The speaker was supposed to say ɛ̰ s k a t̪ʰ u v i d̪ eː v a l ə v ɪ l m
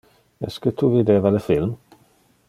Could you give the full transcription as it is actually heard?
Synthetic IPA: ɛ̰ s k ə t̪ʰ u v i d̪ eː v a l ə f ɪ l m